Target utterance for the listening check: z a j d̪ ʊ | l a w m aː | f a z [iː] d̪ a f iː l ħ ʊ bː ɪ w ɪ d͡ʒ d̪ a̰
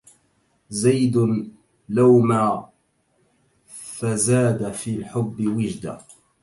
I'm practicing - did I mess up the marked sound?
yes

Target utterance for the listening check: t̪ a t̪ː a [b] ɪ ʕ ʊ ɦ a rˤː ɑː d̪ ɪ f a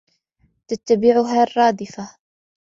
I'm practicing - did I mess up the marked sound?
no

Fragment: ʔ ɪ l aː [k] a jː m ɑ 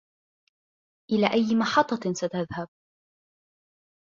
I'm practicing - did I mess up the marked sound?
yes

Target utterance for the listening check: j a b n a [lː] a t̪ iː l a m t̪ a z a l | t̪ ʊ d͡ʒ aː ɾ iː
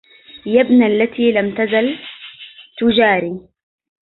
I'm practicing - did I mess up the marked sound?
no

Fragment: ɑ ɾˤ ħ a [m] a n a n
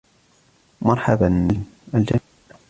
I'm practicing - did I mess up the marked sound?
yes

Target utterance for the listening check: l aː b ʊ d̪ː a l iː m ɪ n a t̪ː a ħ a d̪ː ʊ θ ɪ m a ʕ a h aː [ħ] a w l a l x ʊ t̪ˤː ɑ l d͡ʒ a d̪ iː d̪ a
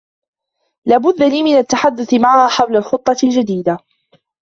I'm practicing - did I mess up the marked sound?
no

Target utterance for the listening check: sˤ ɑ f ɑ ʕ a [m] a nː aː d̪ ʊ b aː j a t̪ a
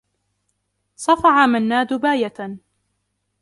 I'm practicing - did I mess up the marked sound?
no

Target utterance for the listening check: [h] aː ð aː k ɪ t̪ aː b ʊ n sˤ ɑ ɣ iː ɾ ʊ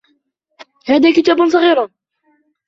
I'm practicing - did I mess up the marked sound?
no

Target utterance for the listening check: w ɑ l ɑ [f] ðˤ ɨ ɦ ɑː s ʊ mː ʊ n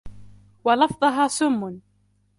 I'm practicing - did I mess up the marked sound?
no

